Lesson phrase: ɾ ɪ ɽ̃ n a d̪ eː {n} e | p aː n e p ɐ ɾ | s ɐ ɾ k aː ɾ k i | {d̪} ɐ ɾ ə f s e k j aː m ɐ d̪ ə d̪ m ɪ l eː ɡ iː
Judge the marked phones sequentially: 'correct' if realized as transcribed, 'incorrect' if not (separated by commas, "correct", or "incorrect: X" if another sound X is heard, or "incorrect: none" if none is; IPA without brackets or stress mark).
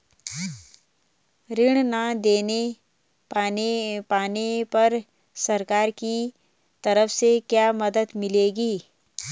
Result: correct, incorrect: t̪